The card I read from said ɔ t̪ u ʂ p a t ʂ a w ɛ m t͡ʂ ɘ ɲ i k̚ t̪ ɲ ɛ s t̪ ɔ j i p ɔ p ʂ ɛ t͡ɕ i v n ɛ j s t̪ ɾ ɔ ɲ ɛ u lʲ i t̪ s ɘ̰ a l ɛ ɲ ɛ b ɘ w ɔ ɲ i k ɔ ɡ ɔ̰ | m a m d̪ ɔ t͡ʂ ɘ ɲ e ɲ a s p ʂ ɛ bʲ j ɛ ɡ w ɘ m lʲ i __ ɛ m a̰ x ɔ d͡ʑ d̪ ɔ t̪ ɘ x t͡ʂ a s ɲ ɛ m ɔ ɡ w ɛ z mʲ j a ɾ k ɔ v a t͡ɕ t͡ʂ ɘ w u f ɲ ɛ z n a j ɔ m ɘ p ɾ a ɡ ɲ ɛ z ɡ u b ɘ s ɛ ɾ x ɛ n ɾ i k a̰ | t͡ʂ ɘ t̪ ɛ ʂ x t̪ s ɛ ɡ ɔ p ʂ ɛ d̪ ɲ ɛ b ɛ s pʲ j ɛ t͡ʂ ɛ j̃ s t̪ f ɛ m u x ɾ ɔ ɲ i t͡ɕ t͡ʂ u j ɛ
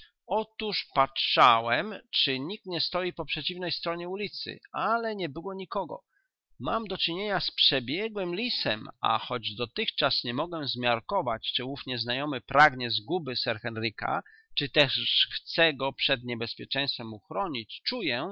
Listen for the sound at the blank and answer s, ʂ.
s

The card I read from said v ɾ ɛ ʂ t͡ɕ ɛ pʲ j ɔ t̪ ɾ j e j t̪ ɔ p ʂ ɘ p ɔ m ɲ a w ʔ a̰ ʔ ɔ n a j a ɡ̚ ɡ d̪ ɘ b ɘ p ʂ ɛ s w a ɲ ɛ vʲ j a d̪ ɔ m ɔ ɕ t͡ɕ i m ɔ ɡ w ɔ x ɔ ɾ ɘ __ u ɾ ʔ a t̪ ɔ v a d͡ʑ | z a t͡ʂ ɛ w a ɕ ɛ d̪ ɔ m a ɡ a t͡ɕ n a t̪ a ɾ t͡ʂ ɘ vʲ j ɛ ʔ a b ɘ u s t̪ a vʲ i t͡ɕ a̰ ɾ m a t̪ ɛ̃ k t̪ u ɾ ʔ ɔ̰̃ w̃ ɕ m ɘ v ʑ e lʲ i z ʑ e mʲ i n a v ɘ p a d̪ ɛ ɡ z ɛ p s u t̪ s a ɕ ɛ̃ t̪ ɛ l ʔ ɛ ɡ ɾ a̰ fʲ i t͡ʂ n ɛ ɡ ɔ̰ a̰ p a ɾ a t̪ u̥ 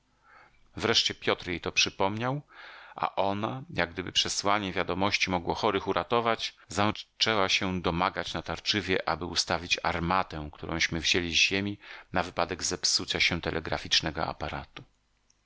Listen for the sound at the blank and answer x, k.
x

